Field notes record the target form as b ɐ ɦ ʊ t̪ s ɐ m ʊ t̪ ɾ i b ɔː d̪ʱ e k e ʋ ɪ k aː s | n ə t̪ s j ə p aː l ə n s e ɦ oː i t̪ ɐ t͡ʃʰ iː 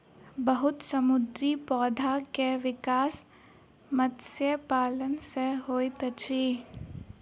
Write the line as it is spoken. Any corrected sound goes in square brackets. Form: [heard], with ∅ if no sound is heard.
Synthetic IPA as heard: b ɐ ɦ ʊ t̪ s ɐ m ʊ [d̪] ɾ i [p] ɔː d̪ʱ [a] k e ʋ ɪ k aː s | [m] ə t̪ s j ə p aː l ə n s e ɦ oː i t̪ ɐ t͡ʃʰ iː